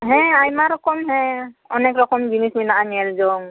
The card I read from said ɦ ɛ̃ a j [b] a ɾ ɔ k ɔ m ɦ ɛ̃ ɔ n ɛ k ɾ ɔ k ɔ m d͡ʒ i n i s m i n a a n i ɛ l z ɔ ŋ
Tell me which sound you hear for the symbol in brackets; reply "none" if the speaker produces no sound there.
m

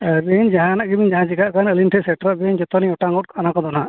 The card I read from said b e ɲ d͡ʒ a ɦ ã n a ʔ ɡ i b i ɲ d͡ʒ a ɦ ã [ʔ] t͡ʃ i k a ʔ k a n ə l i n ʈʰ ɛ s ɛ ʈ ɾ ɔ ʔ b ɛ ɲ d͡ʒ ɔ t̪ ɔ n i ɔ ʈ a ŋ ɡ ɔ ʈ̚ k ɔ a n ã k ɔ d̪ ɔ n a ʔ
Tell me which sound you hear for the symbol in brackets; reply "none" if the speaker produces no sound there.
none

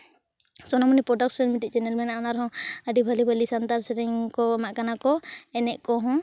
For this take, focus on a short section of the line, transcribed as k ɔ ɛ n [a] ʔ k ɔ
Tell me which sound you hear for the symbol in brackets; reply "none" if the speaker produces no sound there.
ɛ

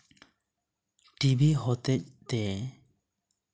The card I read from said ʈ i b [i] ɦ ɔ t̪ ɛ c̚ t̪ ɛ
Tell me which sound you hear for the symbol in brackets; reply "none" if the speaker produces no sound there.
i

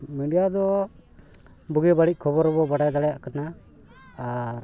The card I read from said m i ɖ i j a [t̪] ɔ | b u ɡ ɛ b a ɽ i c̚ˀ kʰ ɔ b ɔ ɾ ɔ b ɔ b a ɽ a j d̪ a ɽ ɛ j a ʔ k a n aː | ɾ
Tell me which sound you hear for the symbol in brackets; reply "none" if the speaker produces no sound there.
d̪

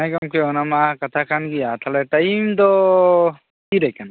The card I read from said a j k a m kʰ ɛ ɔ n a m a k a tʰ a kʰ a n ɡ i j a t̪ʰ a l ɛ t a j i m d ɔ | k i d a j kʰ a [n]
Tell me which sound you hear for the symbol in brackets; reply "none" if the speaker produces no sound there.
n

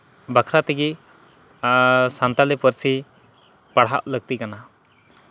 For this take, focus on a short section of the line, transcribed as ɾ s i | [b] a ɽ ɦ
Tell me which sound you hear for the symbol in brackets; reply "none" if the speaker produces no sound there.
p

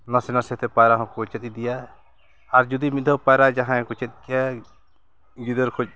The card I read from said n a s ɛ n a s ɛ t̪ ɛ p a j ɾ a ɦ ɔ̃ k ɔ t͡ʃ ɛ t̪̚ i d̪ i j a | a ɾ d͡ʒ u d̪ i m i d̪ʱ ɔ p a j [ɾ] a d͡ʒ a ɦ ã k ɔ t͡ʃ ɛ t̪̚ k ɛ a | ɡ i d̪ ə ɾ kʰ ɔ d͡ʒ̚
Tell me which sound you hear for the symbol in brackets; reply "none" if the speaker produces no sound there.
ɾ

